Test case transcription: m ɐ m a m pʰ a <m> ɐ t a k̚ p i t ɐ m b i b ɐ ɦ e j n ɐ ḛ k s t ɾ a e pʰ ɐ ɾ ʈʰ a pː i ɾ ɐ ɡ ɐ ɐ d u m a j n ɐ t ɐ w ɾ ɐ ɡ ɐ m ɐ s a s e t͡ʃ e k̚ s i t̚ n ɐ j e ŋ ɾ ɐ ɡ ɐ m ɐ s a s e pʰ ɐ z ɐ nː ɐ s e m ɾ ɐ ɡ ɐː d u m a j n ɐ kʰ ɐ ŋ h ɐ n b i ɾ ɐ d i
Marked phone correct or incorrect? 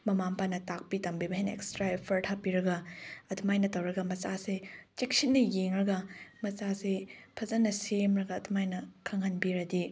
incorrect